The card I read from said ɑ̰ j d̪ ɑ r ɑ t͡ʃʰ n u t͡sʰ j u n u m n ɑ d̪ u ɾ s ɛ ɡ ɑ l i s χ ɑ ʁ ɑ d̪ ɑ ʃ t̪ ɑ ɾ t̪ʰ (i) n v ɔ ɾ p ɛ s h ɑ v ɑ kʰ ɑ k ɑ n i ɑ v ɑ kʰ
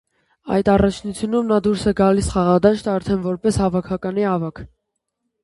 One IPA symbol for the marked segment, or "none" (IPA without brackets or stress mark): ɛ